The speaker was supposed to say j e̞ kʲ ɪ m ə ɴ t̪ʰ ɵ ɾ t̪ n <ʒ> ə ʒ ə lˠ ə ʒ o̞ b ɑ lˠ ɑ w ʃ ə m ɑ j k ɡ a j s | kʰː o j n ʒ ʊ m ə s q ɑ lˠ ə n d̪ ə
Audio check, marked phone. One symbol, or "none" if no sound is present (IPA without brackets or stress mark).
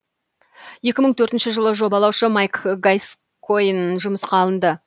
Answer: ʃ